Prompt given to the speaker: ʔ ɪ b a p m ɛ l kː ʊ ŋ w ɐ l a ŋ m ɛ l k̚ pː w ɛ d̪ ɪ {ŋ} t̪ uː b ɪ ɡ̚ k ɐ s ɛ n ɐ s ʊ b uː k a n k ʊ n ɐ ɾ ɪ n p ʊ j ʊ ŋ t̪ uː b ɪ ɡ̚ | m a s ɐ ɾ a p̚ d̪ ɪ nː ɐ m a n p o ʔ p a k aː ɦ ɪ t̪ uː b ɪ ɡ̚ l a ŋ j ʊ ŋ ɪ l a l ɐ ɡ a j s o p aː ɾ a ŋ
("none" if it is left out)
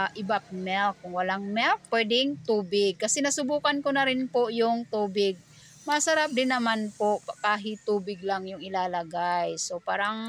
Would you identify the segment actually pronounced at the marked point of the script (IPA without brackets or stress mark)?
ŋ